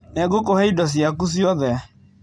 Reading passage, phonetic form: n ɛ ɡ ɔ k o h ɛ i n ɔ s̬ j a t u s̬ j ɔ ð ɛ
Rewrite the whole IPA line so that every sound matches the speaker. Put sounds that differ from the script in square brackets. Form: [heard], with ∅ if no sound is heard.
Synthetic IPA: n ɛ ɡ [o] k o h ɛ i [d] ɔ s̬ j a [k] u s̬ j ɔ ð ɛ